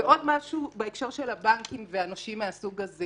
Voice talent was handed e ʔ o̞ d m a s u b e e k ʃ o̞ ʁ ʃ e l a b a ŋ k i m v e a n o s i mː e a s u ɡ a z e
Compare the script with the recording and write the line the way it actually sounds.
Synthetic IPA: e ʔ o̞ d m a ʃ u b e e k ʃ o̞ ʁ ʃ e l a b a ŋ k i m v e a n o ʃ i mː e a s u ɡ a z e